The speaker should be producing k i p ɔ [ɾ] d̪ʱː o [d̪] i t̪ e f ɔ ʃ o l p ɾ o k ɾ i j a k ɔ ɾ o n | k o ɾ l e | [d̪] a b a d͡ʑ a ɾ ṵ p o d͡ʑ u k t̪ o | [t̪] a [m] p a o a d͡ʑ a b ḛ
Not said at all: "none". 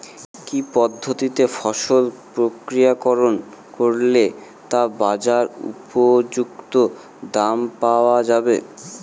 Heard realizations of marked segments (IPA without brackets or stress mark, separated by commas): none, t̪, t̪, d̪, m